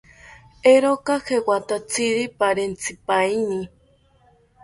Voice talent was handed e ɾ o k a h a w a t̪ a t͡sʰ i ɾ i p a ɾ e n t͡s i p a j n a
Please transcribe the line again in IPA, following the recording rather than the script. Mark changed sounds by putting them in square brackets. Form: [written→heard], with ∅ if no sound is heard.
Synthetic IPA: e ɾ o k a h [a→e] w a t̪ a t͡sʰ i ɾ i p a ɾ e n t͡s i p a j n [a→i]